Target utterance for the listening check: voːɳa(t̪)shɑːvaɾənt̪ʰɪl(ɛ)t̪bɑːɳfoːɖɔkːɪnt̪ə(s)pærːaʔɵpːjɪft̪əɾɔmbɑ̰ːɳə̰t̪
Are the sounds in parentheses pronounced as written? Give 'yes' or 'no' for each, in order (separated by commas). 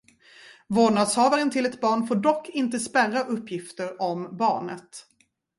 no, yes, yes